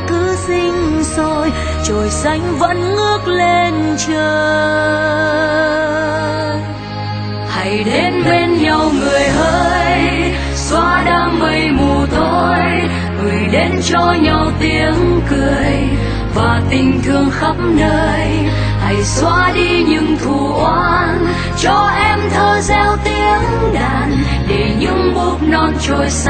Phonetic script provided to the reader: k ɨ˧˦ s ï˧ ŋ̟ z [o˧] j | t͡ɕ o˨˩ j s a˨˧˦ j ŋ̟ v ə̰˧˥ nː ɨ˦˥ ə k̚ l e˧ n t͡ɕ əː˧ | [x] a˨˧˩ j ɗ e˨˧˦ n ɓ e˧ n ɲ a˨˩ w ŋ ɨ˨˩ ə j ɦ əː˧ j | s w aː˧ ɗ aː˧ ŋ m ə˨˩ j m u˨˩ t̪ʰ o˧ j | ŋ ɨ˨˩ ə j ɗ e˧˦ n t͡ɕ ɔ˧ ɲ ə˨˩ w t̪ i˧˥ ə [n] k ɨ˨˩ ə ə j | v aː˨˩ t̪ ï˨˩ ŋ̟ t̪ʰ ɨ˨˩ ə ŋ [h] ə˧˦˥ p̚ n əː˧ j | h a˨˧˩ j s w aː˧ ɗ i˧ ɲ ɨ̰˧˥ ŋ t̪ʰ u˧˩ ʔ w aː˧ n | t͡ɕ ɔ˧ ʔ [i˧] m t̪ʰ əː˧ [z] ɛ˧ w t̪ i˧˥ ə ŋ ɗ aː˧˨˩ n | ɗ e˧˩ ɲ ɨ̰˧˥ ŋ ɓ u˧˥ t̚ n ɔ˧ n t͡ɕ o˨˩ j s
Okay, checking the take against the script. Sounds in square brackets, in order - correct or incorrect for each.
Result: correct, incorrect, incorrect, incorrect, incorrect, correct

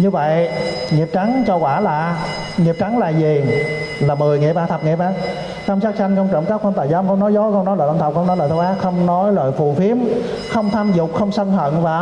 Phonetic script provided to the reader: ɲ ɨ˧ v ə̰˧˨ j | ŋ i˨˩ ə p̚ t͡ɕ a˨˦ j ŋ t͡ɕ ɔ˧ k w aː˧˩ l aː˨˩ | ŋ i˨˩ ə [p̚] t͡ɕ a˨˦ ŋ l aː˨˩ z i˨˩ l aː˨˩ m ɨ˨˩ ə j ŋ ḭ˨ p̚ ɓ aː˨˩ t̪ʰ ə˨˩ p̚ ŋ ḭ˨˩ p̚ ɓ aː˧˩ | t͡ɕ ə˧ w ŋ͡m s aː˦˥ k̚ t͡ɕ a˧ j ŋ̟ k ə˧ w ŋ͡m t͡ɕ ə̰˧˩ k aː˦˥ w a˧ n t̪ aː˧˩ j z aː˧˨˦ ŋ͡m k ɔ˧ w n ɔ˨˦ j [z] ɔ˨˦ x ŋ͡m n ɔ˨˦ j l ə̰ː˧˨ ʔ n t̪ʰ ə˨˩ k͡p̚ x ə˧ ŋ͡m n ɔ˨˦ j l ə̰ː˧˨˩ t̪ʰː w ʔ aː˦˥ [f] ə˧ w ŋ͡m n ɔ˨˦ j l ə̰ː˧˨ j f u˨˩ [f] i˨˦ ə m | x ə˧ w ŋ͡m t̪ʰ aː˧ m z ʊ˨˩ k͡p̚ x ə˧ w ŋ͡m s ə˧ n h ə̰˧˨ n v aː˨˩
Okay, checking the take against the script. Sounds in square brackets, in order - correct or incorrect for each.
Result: correct, correct, incorrect, correct

